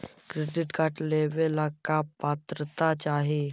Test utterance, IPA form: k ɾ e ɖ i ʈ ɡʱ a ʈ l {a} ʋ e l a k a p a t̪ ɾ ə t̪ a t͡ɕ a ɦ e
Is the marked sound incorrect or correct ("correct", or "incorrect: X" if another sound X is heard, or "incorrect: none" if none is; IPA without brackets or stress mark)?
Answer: incorrect: e